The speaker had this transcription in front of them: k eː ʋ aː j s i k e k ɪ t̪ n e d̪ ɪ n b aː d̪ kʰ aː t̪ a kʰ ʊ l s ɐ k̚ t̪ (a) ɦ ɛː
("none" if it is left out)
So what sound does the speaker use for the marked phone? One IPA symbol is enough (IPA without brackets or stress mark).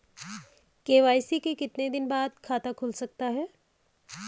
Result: a